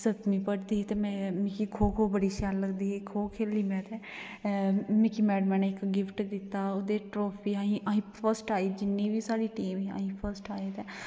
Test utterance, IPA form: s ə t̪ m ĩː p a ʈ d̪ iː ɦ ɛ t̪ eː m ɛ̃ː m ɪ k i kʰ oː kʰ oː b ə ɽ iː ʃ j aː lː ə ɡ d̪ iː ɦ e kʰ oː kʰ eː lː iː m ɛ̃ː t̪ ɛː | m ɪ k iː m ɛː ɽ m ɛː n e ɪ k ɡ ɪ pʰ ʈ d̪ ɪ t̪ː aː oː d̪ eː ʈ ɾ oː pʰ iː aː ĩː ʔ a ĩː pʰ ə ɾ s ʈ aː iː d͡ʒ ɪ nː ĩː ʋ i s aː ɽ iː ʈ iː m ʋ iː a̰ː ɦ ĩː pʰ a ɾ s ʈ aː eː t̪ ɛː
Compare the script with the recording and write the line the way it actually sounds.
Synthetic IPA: s ə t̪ m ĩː p ə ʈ d̪ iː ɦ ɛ t̪ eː m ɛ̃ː m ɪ k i kʰ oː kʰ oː b ə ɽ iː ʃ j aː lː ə ɡ d̪ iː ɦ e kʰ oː kʰ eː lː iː m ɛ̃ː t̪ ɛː | m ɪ k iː m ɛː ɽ m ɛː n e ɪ k ɡ ɪ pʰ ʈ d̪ ɪ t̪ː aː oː d̪ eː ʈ ɾ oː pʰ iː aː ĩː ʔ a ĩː pʰ ə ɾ s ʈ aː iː d͡ʒ ɪ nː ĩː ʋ iː s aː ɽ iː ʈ iː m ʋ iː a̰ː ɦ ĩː pʰ ə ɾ s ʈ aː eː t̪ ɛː